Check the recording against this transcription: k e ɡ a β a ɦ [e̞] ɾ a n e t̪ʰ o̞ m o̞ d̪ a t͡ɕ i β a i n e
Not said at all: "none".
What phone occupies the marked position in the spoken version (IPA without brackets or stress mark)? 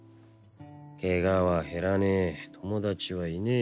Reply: e̞